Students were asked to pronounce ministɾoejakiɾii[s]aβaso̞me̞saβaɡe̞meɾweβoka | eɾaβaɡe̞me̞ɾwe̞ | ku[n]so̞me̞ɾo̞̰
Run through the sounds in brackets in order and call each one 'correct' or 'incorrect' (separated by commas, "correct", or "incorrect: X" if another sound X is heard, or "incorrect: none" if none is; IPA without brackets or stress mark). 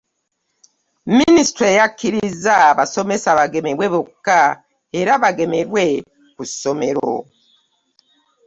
incorrect: z, incorrect: none